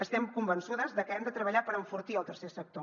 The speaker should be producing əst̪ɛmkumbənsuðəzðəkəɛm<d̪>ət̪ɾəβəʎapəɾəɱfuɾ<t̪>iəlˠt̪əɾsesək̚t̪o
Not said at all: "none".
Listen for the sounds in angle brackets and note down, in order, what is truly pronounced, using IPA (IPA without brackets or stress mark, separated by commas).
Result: d̪, t̪